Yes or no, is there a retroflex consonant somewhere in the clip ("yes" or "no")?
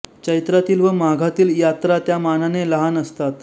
no